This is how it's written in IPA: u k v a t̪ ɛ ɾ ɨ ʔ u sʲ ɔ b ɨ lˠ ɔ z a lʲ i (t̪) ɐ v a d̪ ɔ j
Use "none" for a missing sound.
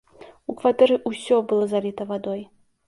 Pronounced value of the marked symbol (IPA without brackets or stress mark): t̪